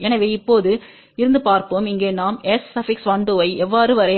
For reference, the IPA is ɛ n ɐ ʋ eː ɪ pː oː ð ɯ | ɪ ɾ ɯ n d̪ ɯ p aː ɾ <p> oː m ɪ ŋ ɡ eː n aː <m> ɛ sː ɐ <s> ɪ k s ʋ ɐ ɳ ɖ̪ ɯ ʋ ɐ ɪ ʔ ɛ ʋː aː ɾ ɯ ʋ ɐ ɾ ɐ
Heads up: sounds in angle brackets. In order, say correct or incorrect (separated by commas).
correct, correct, incorrect